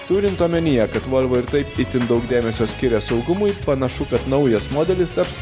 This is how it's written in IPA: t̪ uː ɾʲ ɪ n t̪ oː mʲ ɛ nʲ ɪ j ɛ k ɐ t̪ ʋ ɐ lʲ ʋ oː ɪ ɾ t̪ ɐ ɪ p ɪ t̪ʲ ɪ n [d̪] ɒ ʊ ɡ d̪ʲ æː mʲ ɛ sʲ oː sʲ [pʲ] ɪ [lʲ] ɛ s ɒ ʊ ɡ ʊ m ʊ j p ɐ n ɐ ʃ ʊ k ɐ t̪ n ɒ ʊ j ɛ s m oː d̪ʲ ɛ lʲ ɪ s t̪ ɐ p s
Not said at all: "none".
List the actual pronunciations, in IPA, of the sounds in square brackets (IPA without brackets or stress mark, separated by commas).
d̪, kʲ, ɾʲ